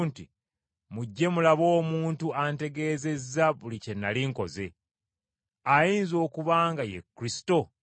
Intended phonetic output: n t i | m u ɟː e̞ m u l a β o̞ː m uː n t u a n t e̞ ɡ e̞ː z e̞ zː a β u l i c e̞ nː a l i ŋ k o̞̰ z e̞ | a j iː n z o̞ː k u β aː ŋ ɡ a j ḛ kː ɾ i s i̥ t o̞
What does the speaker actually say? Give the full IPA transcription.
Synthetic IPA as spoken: n t i | m u ɟː e̞ m u l a β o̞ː m uː n t u a n t e̞ ɡ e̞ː z e̞ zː a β u l i c e̞ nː a l i ŋ k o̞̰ z e̞ | a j iː n z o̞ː k u β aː ŋ ɡ a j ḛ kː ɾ i s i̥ t o̞